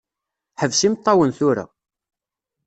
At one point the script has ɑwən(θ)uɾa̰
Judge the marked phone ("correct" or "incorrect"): correct